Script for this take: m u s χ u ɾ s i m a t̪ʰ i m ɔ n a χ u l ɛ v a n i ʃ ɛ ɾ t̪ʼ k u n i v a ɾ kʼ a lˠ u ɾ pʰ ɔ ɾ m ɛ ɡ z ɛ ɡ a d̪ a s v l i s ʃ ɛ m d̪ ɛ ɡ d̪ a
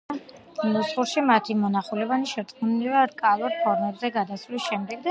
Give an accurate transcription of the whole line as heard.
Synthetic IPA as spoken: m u s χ u ɾ ʃ i m a t̪ʰ i m ɔ n a χ u l ɛ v a n i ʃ ɛ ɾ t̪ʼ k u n i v a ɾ kʼ a lˠ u ɾ pʰ ɔ ɾ m ɛ b z ɛ ɡ a d̪ a s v l i s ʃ ɛ m d̪ ɛ ɡ d̪ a